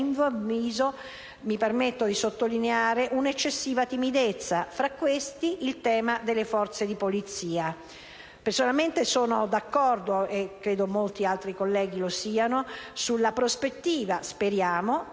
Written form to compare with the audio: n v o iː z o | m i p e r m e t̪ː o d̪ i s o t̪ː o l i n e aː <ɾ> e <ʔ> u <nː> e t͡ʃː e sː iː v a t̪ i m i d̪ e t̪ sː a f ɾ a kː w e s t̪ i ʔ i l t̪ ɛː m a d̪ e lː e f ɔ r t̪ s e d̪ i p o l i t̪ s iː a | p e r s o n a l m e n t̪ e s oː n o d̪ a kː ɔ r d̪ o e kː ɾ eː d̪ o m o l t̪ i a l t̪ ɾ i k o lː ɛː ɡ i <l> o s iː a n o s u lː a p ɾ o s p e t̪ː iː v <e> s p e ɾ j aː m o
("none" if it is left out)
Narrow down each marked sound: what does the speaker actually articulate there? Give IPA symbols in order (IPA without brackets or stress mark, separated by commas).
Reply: ɾ, ʔ, n, l, a